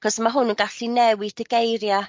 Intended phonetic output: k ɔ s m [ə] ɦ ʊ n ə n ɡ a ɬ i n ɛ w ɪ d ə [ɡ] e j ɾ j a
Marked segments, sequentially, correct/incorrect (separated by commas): incorrect, correct